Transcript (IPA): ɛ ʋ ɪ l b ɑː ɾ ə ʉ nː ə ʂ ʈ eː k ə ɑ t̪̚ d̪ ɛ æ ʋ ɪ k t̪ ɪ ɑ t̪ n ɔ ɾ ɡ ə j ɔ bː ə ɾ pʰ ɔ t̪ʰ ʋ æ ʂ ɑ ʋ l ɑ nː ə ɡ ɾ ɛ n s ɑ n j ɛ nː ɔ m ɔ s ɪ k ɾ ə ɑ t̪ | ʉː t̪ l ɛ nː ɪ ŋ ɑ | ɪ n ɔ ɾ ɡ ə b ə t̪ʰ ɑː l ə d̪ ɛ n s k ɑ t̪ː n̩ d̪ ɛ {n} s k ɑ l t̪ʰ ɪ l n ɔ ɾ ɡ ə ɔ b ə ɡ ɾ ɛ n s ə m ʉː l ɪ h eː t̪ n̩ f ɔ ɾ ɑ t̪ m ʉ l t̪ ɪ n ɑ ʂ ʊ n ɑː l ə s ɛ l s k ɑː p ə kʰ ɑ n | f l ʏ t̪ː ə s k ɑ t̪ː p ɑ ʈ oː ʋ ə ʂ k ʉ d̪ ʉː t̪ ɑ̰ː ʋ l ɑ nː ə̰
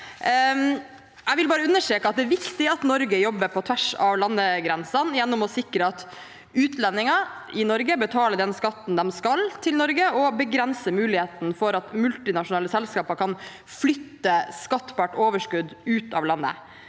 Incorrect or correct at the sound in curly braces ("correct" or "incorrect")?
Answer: incorrect